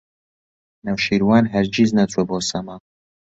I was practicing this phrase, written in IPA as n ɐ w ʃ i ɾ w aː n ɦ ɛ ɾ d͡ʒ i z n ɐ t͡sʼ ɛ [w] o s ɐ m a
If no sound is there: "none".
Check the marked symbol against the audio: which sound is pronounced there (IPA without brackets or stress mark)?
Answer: b